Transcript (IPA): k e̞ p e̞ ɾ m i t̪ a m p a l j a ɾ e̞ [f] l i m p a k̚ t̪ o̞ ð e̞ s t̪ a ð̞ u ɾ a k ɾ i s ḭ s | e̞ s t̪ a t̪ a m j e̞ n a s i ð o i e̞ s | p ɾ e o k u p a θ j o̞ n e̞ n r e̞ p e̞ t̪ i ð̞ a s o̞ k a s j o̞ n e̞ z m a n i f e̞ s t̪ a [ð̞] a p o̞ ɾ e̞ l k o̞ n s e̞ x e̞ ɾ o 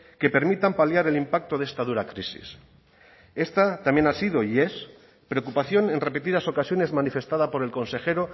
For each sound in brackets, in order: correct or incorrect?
incorrect, correct

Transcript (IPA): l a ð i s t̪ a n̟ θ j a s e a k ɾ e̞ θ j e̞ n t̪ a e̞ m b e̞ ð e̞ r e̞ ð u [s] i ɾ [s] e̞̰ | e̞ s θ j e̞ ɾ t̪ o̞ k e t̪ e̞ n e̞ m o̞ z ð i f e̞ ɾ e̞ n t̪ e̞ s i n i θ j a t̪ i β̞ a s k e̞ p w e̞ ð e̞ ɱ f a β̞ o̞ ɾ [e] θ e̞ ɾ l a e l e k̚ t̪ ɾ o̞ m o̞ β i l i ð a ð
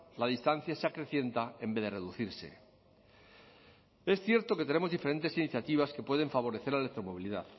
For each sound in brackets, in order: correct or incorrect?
incorrect, correct, correct

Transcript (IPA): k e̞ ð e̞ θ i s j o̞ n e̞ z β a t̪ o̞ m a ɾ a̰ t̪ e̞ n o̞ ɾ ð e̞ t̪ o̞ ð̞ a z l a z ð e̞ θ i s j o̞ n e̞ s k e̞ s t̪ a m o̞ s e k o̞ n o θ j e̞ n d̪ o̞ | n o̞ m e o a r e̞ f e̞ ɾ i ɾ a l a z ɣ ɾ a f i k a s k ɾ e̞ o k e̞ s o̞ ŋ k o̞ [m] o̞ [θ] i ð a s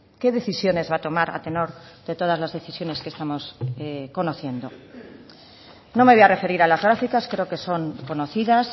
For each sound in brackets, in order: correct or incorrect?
incorrect, correct

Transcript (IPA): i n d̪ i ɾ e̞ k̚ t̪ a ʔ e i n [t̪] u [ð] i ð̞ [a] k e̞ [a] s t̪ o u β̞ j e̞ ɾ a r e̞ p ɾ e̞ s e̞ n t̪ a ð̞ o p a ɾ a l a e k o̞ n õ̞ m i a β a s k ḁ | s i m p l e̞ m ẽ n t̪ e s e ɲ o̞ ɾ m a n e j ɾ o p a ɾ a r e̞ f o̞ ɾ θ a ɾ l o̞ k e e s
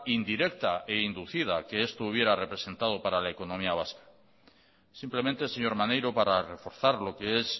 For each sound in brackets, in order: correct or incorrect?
incorrect, incorrect, correct, incorrect

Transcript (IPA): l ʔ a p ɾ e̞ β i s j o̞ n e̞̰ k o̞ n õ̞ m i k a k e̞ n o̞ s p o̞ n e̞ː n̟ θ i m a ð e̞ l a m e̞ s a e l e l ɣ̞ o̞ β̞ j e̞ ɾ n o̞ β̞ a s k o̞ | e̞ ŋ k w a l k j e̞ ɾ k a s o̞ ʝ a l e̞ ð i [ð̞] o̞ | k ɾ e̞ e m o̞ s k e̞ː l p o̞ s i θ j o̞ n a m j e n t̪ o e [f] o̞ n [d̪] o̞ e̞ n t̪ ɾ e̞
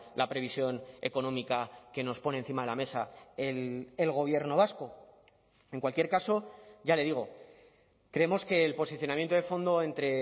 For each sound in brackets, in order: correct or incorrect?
incorrect, correct, correct

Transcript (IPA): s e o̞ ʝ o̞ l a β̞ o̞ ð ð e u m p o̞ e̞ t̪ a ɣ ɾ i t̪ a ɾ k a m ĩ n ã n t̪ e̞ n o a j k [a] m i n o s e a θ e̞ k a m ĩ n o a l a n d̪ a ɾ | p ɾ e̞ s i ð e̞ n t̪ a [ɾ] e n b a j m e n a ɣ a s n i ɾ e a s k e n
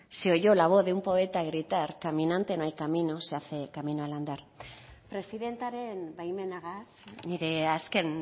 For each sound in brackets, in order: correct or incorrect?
correct, correct

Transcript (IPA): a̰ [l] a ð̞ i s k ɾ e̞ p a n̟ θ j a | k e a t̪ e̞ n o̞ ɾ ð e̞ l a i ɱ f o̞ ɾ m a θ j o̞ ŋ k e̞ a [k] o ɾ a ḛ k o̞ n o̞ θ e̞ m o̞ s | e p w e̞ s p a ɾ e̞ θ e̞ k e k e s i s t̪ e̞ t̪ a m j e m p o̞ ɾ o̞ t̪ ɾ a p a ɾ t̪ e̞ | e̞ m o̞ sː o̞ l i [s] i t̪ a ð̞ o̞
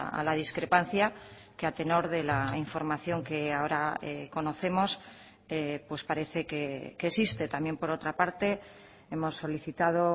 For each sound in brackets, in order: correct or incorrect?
correct, incorrect, incorrect

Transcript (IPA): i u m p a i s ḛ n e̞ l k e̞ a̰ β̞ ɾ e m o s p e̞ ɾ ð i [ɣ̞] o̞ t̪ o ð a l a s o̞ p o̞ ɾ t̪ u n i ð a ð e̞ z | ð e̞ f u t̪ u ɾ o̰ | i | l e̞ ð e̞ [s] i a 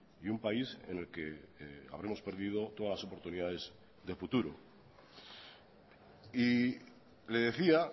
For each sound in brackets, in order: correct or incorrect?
incorrect, incorrect

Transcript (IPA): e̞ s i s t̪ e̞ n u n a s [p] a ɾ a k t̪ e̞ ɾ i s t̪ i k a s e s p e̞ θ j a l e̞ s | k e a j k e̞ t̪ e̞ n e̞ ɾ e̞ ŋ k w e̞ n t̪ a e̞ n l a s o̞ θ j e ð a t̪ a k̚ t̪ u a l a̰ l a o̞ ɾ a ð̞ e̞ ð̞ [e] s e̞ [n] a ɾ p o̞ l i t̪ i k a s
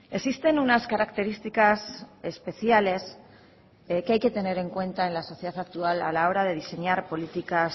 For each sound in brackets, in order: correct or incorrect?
incorrect, incorrect, incorrect

